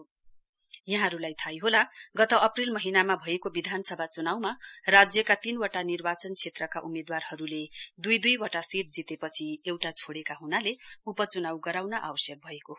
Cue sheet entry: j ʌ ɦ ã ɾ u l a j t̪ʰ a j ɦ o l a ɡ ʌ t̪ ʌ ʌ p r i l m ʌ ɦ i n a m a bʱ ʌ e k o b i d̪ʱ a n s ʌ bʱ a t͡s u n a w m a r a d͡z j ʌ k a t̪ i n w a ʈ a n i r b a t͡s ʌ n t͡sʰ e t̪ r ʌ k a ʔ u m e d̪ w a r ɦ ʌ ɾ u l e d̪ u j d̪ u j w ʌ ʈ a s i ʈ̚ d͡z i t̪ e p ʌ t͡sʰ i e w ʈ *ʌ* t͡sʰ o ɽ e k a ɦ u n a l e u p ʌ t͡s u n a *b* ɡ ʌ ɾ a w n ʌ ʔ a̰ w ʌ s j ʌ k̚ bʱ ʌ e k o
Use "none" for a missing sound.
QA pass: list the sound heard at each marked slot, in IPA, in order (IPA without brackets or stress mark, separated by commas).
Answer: a, w